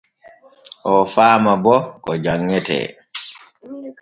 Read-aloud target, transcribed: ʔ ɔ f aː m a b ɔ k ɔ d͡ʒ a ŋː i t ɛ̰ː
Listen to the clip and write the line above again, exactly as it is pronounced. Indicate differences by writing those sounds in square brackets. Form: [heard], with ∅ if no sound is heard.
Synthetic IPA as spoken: ʔ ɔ f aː m a b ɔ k ɔ d͡ʒ a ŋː [ɛ] t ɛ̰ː